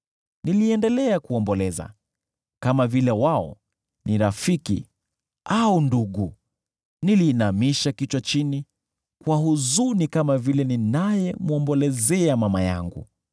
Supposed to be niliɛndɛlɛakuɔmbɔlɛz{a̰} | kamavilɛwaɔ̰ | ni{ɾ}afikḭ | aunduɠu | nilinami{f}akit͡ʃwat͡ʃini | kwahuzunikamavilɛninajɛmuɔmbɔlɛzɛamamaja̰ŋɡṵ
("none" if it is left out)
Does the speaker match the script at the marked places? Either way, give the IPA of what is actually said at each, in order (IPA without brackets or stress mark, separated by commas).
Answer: a̰, ɾ, ʃ